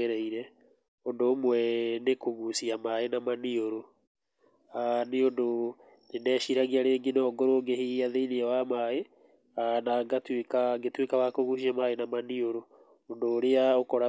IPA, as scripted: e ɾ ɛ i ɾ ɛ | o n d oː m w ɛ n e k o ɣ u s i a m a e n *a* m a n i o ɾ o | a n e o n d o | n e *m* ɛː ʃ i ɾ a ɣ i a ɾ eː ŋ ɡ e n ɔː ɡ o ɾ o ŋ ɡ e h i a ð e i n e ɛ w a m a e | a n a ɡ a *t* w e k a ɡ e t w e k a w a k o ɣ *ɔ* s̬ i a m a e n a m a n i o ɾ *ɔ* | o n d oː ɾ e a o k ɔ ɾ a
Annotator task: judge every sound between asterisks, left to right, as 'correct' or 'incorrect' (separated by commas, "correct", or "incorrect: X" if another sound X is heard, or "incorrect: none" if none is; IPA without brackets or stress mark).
correct, incorrect: n, correct, incorrect: u, incorrect: o